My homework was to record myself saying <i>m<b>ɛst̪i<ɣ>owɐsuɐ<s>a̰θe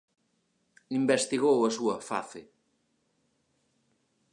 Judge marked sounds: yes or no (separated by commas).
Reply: yes, yes, yes, no